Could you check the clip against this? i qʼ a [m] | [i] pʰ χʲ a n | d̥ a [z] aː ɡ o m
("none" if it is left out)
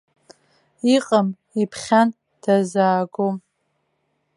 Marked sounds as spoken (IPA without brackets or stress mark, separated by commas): m, i, z